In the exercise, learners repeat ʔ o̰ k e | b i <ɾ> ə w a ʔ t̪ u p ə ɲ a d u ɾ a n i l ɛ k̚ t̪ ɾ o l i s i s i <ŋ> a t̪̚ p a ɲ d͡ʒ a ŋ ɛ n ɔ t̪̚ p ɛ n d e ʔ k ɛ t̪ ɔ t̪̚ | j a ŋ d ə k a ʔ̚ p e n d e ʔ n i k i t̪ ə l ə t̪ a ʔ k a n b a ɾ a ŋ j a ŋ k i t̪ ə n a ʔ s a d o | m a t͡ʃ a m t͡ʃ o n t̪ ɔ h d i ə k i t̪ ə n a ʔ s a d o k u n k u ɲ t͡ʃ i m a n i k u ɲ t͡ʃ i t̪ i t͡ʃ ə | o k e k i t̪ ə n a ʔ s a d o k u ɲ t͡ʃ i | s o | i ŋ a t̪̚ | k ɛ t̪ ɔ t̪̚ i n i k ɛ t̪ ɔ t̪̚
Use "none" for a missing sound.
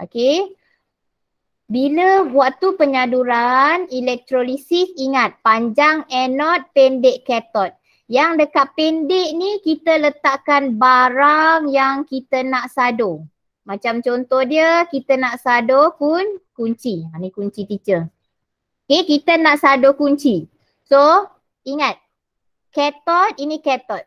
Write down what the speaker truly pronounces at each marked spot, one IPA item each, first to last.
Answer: l, ŋ

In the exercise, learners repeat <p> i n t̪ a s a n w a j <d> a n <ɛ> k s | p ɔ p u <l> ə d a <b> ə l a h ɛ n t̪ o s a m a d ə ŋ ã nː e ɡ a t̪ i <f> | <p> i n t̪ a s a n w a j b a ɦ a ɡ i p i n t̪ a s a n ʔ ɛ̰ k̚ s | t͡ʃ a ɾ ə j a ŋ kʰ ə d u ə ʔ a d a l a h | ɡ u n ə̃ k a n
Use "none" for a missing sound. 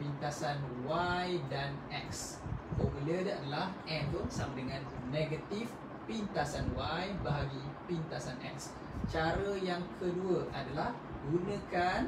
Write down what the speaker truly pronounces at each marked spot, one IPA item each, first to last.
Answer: p, d, ɛ, l, d, f, p

